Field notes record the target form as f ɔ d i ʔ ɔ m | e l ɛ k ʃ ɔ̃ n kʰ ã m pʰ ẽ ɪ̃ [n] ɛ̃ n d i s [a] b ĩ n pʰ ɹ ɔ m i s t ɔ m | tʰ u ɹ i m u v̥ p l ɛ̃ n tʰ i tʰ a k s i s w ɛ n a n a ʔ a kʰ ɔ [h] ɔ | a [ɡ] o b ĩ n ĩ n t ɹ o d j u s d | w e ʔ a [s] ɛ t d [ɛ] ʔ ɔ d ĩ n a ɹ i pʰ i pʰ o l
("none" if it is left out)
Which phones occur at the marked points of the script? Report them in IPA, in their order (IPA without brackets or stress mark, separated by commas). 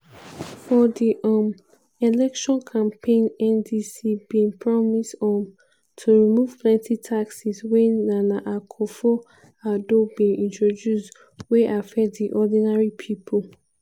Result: n, i, f, d, f, i